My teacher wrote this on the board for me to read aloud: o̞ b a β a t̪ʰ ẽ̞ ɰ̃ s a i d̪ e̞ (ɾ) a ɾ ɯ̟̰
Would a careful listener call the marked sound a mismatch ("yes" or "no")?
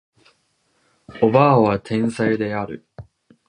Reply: yes